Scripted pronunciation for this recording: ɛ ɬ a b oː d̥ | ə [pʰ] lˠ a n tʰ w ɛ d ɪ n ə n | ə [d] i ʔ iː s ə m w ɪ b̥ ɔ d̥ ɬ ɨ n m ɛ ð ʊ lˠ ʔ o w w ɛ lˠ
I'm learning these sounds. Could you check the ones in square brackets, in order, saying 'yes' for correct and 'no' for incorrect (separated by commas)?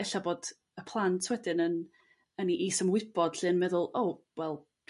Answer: yes, no